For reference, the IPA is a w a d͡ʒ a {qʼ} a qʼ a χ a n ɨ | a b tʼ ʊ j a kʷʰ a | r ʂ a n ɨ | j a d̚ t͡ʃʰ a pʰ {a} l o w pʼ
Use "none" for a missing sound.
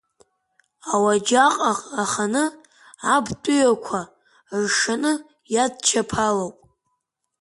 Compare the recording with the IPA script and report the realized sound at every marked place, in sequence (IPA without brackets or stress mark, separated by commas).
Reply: qʼ, a